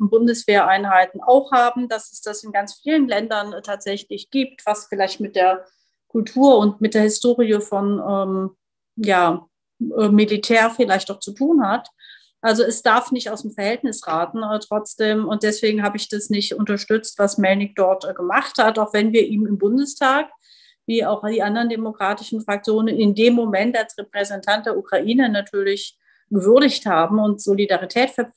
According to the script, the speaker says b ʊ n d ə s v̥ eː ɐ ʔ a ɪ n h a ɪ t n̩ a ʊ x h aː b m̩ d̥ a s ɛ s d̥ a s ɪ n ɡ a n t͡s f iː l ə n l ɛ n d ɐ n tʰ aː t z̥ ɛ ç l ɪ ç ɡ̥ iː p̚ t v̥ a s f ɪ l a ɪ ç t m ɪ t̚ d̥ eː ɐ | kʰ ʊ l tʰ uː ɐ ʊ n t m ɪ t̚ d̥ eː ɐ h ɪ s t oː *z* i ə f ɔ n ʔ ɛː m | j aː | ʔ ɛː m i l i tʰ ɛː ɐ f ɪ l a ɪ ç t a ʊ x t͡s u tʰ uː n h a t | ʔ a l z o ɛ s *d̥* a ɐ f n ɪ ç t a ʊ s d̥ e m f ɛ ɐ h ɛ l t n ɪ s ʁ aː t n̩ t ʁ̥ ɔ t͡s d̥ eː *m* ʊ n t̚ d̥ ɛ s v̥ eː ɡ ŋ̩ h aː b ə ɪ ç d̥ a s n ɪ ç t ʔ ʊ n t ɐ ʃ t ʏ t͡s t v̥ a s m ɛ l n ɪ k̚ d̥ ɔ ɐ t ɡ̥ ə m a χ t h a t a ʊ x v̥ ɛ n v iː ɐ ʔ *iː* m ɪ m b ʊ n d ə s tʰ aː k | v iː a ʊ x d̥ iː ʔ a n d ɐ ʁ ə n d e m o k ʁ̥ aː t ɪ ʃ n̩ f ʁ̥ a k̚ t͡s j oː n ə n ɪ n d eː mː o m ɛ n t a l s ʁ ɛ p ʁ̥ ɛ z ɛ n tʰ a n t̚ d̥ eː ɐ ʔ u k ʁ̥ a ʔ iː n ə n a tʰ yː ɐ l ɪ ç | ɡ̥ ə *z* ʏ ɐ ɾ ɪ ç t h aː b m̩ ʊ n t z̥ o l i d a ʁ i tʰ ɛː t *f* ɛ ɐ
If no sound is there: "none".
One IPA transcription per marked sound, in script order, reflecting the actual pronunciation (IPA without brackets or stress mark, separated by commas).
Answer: ʁ, d̥, m, iː, v, f